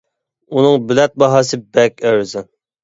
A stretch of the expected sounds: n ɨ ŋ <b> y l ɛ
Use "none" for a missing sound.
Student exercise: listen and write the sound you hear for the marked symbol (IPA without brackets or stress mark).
b